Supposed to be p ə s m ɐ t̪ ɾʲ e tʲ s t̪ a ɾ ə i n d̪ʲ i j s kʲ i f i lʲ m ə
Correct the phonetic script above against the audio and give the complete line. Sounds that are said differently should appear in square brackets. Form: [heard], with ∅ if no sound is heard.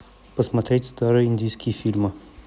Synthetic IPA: p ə s m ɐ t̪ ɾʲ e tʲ s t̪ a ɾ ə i n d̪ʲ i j s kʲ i f i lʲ m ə